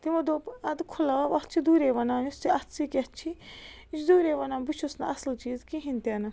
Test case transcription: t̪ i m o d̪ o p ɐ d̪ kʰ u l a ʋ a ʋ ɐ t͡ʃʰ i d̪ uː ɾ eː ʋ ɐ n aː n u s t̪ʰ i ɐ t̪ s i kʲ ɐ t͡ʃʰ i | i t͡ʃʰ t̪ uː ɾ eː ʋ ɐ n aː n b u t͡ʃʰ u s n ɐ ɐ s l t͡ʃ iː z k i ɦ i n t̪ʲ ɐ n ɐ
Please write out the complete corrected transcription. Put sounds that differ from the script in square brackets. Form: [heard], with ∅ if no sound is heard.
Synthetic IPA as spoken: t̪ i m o d̪ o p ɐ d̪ kʰ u l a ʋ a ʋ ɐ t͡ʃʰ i d̪ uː ɾ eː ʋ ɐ n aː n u s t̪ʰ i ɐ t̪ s i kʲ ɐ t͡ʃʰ i | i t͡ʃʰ [d̪] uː ɾ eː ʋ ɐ n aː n b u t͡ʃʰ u s n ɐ ɐ s l t͡ʃ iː z k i ɦ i n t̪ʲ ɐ n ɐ